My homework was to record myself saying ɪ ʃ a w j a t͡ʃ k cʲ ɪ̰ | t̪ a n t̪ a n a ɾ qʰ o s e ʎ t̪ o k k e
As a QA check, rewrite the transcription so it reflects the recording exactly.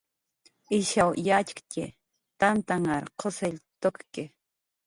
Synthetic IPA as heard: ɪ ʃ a w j a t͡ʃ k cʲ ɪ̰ | t̪ a n t̪ a ŋ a ɾ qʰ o s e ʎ t̪ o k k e